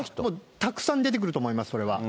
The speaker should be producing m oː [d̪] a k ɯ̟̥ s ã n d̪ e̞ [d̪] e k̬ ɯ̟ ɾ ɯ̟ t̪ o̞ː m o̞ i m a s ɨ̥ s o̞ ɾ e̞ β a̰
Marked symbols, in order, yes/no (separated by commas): no, no